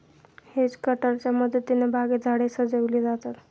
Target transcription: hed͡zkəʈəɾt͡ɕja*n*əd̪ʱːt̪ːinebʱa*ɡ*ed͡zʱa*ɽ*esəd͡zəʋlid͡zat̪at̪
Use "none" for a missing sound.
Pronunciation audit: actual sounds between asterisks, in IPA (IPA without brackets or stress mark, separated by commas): m, ɡ, ɽ